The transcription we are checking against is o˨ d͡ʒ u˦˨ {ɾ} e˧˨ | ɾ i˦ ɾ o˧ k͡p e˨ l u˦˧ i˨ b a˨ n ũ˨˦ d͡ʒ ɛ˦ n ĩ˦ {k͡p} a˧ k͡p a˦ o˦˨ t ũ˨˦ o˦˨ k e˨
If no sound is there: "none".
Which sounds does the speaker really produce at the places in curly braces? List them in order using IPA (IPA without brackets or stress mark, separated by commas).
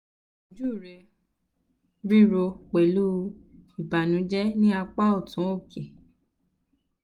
ɾ, none